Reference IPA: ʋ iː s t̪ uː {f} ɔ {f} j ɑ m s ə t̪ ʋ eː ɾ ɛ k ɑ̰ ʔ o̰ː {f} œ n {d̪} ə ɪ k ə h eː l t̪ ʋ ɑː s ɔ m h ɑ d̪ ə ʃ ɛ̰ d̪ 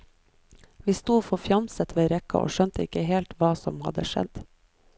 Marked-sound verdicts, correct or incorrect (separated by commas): correct, correct, incorrect, incorrect